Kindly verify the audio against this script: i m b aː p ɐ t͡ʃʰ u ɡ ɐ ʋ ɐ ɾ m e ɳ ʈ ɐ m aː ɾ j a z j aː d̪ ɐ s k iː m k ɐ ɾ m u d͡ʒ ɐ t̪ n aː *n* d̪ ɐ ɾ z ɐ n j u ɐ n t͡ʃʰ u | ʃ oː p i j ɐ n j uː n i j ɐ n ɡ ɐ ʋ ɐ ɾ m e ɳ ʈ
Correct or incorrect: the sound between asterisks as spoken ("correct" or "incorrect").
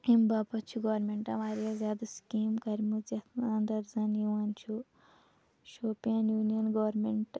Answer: correct